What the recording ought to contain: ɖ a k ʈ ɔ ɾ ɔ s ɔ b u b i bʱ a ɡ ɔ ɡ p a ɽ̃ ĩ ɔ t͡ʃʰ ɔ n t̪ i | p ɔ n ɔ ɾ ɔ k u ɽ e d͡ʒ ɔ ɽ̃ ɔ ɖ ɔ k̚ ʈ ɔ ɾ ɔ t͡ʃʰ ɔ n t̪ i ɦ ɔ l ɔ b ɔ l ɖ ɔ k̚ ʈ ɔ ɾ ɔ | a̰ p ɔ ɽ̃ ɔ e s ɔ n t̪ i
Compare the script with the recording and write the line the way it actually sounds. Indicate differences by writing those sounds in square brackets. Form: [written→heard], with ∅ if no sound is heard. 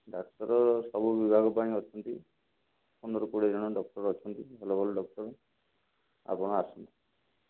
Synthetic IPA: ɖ a k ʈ ɔ ɾ ɔ s ɔ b u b i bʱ a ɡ ɔ [ɡ→∅] p a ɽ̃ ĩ ɔ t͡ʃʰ ɔ n t̪ i | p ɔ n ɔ ɾ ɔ k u ɽ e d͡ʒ ɔ ɽ̃ ɔ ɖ ɔ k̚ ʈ ɔ ɾ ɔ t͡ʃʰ ɔ n t̪ i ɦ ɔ l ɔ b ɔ l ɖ ɔ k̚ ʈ ɔ ɾ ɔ | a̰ p ɔ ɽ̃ ɔ [e→a] s ɔ n t̪ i